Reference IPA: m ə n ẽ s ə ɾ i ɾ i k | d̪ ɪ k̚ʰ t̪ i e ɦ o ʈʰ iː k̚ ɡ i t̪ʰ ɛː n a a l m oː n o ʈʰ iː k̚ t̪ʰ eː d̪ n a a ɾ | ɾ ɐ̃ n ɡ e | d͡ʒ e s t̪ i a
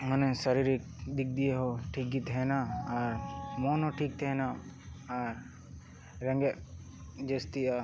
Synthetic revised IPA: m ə n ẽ s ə ɾ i ɾ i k | d̪ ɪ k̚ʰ d̪ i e ɦ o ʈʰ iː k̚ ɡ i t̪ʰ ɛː n a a ɾ m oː n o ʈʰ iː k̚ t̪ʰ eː n a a ɾ | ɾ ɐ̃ ŋ ɡ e | d͡ʒ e s t̪ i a